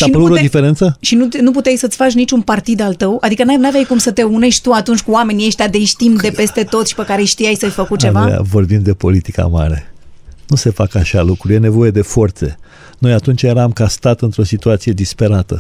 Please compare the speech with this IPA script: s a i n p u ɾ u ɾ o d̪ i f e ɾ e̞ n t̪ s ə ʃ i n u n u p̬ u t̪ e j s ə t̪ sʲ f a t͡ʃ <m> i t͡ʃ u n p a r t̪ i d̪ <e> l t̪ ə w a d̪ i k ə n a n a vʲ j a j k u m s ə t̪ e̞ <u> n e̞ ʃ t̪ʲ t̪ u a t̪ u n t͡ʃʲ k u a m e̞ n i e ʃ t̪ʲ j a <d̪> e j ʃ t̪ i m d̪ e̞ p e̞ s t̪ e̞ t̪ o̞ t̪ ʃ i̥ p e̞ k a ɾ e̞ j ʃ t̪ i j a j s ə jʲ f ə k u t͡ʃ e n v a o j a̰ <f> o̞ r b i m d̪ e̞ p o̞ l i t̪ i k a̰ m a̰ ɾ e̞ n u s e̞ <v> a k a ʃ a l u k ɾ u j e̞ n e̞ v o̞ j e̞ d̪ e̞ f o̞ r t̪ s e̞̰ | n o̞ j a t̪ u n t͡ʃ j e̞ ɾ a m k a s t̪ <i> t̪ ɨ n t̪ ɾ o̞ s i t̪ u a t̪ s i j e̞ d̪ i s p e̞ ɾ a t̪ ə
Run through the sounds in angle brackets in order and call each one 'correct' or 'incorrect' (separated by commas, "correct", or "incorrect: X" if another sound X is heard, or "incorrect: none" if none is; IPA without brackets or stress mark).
incorrect: n, incorrect: a, correct, correct, incorrect: v, incorrect: f, incorrect: a